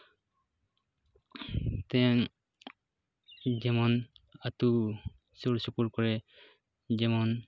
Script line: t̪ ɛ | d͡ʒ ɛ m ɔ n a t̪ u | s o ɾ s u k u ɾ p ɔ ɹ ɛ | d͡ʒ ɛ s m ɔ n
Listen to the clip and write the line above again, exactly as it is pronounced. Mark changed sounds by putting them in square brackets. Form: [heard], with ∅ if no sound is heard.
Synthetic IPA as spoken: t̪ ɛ | d͡ʒ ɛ m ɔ n a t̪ u | s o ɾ s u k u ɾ [k] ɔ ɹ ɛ | d͡ʒ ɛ [∅] m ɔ n